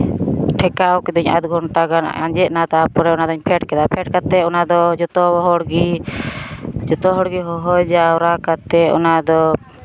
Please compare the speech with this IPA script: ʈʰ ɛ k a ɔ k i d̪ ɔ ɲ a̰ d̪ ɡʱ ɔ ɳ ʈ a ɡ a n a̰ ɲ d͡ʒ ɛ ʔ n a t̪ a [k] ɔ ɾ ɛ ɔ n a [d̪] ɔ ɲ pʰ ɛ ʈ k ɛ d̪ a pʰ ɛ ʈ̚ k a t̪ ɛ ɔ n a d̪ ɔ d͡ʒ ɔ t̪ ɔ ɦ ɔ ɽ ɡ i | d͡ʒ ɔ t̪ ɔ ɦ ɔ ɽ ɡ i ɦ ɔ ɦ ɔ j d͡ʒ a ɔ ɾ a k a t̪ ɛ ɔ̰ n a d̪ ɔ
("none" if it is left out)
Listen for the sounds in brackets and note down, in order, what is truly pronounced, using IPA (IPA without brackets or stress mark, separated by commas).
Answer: p, d̪